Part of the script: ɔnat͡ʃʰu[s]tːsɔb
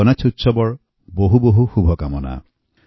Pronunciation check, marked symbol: incorrect: none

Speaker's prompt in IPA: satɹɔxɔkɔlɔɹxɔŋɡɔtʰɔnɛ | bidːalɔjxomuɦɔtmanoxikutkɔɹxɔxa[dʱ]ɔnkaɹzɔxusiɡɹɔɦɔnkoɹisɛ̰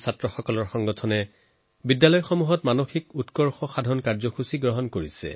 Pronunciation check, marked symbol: correct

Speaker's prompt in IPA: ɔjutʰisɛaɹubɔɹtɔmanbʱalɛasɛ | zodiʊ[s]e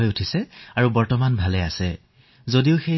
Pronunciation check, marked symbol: incorrect: x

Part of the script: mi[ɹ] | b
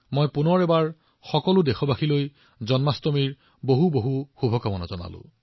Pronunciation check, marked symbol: correct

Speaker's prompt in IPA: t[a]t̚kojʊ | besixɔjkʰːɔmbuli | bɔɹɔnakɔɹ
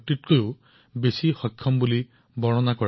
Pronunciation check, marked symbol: incorrect: i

